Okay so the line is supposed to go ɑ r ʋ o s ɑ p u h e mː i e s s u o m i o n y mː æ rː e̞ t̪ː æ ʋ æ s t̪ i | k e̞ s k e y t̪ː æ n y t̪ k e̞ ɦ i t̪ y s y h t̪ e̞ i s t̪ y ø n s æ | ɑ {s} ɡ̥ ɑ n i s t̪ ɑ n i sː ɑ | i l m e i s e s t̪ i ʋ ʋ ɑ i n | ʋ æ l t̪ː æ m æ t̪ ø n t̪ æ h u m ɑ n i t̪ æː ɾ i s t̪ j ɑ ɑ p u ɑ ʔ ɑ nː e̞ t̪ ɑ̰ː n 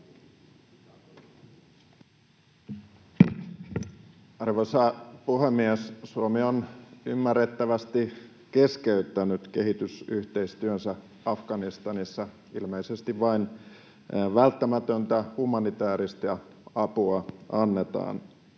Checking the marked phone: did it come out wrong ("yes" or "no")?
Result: yes